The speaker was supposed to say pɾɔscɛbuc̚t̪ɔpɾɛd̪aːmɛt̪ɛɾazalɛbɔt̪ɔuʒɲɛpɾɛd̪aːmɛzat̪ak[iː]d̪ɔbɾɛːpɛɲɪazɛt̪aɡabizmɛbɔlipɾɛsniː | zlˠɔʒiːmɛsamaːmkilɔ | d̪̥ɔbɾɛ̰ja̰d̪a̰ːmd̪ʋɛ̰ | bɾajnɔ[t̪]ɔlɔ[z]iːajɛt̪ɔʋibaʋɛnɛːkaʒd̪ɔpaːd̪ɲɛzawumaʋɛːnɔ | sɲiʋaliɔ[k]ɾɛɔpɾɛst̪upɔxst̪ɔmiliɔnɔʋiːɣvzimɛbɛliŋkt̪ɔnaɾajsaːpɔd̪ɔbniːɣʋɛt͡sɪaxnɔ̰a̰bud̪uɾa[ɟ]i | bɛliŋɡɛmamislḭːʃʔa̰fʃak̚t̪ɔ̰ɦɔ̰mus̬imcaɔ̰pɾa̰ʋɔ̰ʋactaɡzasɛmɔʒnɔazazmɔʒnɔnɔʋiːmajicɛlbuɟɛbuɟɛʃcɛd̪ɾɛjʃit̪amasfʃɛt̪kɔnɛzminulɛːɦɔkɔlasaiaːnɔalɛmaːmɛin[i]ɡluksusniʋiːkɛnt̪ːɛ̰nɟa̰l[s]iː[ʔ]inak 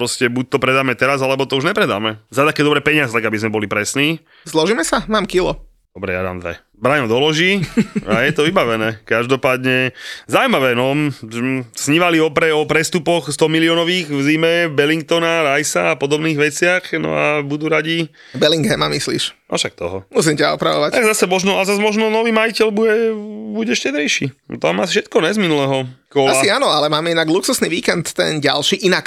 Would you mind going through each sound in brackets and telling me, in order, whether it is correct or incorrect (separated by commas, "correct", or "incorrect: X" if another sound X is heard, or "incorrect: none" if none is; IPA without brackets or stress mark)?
incorrect: ɛː, incorrect: d̪, incorrect: ʒ, incorrect: p, correct, incorrect: a, incorrect: ʃ, correct